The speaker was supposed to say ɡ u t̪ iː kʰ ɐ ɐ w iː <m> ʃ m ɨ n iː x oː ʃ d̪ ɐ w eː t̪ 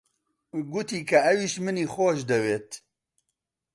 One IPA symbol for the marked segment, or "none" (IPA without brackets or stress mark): none